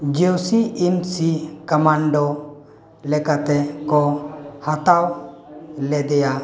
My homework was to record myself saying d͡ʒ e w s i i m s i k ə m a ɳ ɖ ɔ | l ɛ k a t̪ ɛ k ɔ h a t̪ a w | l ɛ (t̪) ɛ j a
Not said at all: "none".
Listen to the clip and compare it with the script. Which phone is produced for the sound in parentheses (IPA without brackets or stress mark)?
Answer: d̪